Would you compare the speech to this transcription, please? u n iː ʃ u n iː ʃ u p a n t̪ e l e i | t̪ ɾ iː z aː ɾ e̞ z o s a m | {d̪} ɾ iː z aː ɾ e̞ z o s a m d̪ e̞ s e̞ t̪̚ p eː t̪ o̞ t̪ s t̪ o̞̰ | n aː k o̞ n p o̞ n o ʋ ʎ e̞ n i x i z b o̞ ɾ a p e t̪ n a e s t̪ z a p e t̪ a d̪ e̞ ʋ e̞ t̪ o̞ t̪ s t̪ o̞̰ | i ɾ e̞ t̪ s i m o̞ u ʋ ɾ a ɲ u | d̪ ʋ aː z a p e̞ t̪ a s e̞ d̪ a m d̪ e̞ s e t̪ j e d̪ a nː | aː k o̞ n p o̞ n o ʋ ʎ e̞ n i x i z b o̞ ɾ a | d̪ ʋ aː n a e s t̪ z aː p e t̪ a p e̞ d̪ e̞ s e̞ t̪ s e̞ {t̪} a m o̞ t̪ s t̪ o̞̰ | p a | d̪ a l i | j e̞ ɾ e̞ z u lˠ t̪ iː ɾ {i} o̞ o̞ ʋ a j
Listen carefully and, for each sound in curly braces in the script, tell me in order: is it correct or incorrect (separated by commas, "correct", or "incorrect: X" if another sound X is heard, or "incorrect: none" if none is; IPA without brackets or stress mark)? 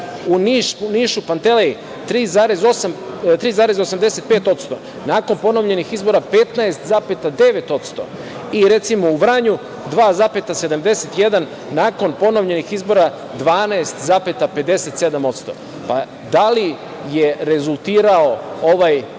incorrect: t̪, incorrect: d̪, incorrect: a